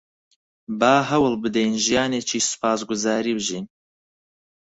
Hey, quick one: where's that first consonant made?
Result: lips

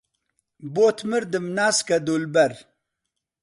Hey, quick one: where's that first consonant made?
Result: lips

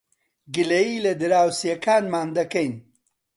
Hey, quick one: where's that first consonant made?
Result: velum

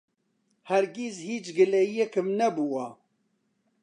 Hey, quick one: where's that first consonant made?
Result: throat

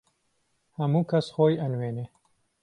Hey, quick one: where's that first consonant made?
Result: throat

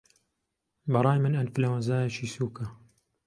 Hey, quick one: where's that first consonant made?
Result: lips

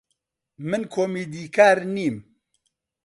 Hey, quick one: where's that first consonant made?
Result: lips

